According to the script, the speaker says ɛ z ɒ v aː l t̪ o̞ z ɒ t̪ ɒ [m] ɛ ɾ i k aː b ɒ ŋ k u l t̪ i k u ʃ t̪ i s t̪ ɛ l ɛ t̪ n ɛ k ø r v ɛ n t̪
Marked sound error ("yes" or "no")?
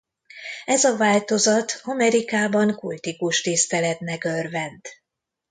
no